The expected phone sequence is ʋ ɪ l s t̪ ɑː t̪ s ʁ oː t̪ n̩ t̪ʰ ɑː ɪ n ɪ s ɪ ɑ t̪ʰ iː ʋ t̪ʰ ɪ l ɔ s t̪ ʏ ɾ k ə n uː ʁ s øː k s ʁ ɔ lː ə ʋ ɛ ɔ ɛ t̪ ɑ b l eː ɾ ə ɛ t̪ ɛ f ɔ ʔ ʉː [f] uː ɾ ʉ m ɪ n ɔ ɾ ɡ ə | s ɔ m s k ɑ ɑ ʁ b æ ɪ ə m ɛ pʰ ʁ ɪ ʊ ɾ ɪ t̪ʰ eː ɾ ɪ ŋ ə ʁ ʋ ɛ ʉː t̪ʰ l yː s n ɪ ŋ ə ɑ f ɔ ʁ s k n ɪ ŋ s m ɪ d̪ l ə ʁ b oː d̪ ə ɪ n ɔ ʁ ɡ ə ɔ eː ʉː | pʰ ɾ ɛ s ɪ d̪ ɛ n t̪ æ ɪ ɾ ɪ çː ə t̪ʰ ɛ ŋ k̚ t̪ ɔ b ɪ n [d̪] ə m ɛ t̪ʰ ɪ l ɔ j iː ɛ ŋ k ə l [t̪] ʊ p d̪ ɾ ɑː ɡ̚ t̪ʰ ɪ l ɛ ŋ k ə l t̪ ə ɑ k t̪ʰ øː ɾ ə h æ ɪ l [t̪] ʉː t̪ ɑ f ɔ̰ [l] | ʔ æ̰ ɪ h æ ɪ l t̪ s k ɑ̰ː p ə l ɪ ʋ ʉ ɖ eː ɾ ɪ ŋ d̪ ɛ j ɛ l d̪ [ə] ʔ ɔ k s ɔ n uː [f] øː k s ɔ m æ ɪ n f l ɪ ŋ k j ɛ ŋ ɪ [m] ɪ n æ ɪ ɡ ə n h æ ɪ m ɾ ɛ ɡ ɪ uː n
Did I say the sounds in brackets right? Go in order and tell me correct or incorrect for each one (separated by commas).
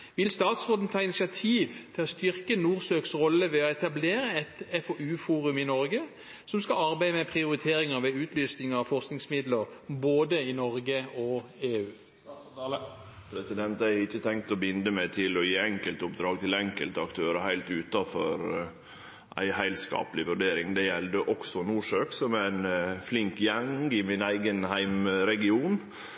correct, correct, correct, correct, incorrect, correct, incorrect, correct